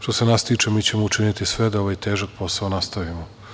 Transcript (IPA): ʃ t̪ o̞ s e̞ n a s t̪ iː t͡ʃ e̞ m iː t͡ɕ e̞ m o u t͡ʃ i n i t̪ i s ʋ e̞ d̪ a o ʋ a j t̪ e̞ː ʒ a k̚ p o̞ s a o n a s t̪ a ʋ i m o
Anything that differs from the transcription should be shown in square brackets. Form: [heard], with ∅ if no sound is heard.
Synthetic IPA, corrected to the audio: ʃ t̪ o̞ s e̞ n a s t̪ iː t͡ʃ e̞ m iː t͡ɕ e̞ m o u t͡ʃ i n i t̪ i s ʋ e̞ d̪ a o ʋ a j t̪ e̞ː ʒ a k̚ p o̞ s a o n a s t̪ a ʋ i m o